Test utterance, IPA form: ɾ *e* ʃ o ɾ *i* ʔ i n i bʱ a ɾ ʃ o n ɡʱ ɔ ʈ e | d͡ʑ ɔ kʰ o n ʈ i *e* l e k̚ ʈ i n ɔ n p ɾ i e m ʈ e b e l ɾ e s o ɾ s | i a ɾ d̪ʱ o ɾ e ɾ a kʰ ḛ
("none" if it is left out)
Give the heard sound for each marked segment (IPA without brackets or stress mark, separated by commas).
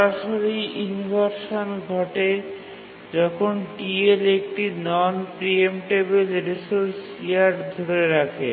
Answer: a, i, e